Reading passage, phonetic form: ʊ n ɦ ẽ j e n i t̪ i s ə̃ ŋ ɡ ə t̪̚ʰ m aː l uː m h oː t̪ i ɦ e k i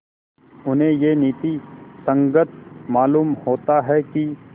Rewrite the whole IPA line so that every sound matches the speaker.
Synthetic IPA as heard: ʊ n ɦ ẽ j e n iː t̪ i s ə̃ ŋ ɡ ə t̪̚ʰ m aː l uː m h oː t̪ a ɦ ɛ k i